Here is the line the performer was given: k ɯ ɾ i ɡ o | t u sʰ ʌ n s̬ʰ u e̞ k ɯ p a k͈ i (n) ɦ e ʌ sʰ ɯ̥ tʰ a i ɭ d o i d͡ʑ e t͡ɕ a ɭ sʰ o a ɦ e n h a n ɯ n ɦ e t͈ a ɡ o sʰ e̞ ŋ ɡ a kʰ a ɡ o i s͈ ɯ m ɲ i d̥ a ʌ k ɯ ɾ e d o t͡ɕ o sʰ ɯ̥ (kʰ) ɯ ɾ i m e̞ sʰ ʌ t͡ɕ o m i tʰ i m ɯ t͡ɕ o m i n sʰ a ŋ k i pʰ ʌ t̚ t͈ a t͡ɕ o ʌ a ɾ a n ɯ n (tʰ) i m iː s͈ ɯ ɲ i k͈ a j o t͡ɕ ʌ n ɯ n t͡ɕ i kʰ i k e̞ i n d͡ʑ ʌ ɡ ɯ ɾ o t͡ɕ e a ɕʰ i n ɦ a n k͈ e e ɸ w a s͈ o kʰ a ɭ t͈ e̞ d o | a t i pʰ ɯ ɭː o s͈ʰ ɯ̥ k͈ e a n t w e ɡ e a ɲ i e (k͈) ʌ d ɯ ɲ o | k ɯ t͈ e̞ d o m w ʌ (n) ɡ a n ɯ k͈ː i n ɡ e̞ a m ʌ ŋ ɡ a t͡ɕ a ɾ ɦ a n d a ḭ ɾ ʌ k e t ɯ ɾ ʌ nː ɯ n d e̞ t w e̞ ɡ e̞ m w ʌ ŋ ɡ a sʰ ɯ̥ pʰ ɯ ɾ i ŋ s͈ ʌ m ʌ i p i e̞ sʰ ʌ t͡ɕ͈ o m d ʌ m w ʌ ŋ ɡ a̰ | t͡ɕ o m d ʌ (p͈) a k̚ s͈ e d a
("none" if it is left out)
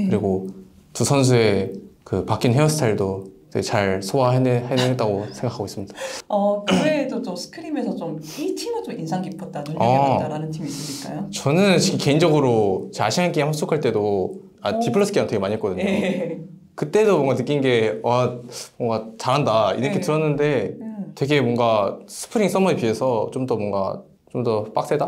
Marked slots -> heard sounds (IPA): n, kʰ, tʰ, k͈, ŋ, p͈

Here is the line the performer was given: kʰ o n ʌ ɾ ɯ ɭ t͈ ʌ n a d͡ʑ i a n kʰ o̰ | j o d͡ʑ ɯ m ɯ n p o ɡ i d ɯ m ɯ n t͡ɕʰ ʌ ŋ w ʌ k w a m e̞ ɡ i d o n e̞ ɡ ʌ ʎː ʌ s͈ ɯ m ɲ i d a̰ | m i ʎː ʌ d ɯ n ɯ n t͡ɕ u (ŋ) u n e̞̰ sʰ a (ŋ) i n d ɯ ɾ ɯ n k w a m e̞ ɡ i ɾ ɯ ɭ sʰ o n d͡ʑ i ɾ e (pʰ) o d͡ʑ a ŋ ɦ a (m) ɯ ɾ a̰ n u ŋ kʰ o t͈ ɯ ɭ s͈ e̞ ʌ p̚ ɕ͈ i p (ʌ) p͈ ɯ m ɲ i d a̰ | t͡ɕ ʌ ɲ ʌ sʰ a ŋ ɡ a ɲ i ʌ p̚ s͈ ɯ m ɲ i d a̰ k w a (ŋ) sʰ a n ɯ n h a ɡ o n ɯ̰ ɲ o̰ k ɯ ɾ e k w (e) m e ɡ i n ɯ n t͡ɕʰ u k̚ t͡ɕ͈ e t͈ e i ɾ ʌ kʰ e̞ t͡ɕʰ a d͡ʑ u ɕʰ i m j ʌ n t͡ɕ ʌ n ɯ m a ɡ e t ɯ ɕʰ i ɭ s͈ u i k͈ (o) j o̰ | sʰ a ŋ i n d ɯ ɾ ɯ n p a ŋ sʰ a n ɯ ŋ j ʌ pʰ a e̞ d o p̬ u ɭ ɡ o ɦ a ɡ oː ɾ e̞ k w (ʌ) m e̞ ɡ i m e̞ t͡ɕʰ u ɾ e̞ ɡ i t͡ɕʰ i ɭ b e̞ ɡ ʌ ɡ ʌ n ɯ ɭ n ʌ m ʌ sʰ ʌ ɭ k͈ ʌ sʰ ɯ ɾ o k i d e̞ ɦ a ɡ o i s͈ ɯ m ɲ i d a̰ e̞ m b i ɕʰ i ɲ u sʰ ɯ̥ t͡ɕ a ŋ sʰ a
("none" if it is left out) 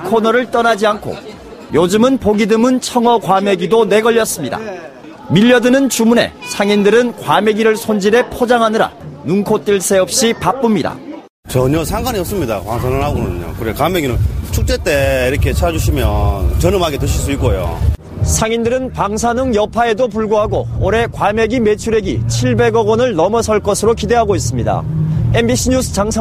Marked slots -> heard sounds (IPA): m, ŋ, pʰ, n, a, ŋ, a, o, a

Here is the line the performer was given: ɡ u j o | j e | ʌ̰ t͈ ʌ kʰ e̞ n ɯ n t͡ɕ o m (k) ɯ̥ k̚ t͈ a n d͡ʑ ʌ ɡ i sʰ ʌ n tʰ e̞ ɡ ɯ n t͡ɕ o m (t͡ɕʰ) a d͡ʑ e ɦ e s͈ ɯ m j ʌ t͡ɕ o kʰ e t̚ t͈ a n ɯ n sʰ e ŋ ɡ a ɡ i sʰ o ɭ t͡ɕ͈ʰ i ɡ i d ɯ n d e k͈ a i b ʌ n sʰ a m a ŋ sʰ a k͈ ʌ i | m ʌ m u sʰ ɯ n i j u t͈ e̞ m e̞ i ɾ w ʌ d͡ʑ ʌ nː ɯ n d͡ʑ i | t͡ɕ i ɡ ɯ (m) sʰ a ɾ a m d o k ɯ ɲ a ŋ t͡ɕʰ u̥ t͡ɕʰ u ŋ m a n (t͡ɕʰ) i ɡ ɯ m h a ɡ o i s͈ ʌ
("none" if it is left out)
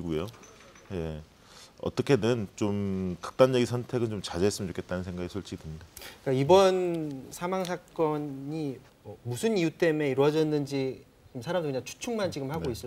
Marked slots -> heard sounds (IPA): k, t͡ɕ, m, t͡ɕ

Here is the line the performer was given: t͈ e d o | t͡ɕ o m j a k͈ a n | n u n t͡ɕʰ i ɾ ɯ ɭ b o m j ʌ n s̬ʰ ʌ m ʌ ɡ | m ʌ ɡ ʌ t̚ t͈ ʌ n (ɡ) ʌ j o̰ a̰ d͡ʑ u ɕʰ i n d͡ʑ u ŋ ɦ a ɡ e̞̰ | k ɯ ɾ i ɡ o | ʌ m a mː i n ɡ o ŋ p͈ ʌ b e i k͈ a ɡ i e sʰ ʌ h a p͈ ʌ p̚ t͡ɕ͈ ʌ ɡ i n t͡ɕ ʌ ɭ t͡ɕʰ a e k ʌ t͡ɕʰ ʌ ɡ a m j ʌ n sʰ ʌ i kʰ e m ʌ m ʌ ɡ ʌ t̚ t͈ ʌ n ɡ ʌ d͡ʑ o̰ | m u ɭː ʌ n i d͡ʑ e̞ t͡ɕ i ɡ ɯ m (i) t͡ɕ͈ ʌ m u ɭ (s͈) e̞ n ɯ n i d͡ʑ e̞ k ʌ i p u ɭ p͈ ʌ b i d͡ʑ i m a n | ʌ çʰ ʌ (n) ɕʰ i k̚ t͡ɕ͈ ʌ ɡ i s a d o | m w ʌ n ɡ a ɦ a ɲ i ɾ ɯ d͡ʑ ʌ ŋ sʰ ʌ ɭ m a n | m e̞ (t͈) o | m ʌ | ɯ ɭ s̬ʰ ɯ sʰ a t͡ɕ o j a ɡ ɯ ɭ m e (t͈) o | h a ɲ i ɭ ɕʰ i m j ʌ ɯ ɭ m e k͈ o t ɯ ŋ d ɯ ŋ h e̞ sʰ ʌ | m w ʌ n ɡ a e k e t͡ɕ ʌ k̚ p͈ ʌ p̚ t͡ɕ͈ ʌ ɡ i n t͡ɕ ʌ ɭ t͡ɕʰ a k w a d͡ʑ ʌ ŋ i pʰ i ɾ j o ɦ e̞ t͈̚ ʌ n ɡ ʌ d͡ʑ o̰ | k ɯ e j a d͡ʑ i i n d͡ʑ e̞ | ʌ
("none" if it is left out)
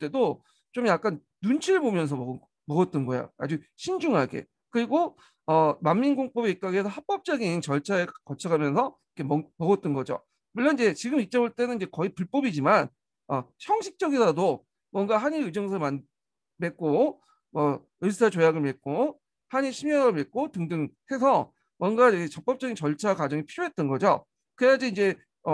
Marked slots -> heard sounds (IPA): ɡ, i, t͈, ŋ, k͈, k͈

